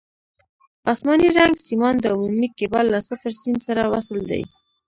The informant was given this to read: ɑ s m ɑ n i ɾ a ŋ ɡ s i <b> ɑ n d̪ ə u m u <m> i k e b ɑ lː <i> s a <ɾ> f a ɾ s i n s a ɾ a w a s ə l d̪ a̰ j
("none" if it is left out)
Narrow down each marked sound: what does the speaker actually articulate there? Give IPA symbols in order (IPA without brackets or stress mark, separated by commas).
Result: m, m, a, none